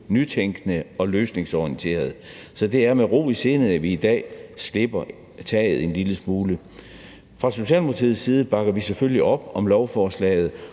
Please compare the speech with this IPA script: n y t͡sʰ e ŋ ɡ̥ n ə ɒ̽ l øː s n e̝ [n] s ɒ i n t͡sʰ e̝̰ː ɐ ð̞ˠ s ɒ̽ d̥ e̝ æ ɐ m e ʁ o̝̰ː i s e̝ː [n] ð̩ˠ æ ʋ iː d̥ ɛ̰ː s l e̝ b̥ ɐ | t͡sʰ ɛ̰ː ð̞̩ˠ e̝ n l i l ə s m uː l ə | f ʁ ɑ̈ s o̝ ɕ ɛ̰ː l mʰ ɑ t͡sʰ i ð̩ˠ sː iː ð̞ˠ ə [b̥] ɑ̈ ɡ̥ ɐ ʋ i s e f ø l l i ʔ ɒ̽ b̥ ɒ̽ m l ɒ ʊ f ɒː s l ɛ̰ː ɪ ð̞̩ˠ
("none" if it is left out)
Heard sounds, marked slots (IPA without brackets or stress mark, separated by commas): ŋ, n, b̥